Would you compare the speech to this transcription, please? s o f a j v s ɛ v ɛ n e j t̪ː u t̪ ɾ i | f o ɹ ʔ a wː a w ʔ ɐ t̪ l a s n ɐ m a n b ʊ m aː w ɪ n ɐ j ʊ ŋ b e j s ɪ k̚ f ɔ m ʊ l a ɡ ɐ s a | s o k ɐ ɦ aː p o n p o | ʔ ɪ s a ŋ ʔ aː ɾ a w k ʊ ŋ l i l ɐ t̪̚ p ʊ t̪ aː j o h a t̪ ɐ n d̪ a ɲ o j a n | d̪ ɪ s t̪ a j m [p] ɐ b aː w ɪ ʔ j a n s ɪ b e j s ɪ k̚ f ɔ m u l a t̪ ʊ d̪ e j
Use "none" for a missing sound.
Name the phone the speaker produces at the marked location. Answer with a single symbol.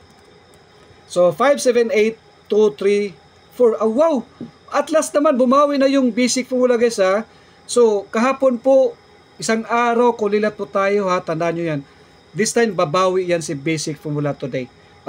b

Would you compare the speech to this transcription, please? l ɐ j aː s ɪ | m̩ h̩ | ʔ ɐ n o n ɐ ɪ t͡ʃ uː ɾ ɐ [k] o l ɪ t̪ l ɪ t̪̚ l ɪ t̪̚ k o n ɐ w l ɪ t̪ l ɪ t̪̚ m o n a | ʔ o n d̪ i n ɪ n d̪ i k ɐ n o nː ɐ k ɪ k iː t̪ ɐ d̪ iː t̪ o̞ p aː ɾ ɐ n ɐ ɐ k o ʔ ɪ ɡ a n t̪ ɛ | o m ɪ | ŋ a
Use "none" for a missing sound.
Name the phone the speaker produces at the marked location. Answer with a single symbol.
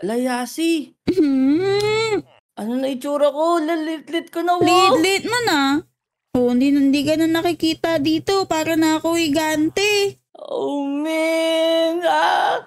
k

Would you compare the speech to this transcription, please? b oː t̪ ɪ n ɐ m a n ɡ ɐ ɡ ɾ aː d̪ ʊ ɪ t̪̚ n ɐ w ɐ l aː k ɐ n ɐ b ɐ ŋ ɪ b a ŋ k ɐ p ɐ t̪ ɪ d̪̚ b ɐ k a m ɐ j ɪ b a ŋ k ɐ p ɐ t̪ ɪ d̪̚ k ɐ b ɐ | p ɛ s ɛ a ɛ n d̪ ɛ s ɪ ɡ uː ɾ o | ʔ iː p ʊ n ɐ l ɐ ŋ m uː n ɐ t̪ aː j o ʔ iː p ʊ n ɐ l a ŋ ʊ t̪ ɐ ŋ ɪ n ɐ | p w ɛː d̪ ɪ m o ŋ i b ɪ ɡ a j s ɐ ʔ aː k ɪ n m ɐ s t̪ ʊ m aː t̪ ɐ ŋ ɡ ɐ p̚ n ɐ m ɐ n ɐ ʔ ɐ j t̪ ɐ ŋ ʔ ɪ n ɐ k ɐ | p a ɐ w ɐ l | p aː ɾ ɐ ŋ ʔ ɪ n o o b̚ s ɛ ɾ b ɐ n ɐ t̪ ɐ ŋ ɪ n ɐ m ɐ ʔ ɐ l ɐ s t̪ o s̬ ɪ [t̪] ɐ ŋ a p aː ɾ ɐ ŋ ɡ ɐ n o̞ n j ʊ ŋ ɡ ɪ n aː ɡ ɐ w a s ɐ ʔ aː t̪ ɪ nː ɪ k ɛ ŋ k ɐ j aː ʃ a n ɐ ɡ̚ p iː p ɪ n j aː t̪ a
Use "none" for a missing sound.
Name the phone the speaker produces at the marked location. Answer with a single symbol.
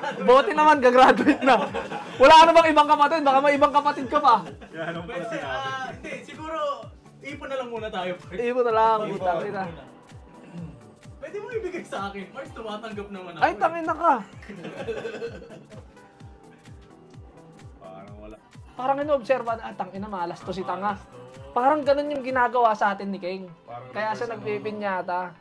t̪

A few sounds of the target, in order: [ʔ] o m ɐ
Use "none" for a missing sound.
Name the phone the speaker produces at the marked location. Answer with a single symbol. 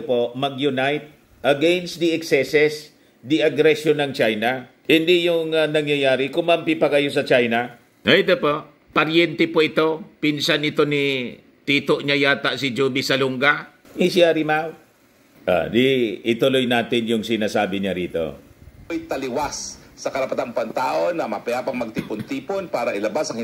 p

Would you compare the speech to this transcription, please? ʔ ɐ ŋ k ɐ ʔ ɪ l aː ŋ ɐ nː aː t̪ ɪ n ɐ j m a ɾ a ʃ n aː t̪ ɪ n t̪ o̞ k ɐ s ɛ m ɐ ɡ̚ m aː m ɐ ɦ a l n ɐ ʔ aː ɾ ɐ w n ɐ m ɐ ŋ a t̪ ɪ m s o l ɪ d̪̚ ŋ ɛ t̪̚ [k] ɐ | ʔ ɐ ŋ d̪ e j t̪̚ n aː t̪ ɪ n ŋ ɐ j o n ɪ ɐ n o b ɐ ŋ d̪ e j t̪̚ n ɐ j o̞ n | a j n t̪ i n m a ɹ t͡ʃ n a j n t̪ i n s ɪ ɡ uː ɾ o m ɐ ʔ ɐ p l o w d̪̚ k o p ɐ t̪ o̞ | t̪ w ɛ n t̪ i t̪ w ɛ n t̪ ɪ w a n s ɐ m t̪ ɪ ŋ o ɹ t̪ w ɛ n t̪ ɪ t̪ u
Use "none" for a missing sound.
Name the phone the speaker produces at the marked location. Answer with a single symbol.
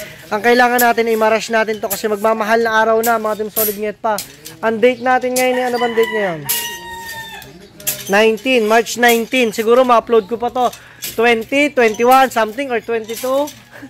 p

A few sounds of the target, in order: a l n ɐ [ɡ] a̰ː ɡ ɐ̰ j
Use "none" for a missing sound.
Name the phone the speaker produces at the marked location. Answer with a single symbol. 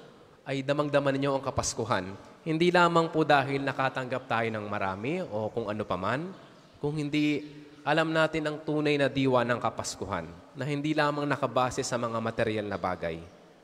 b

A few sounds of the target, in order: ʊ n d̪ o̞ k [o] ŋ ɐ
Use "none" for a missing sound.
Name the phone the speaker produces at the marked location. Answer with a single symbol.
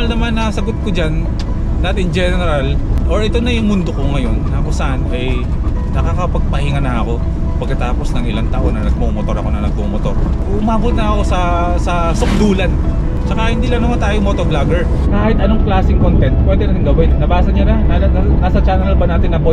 o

